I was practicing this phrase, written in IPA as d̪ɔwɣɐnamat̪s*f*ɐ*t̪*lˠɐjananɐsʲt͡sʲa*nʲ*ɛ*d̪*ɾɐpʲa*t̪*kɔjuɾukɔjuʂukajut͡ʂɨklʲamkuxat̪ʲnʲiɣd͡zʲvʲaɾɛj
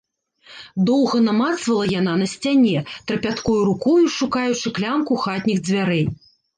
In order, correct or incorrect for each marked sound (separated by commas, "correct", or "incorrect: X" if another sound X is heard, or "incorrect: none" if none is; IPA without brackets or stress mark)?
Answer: incorrect: v, incorrect: none, correct, incorrect: t̪, correct